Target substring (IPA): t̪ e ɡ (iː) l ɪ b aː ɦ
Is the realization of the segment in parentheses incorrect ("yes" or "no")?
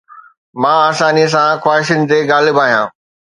yes